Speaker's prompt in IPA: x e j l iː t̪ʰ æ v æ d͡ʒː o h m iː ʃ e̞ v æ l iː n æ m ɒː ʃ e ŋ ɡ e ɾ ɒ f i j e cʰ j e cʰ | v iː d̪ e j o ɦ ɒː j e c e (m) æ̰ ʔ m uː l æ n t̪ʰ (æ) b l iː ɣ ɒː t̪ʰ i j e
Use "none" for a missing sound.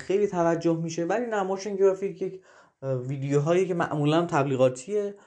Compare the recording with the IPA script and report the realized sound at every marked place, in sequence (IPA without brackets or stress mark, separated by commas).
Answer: m, æ